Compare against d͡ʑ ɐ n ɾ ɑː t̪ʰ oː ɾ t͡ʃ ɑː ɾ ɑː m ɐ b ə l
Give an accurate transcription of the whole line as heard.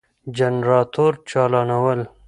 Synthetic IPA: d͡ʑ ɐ n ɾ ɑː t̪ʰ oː ɾ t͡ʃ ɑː l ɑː n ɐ w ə l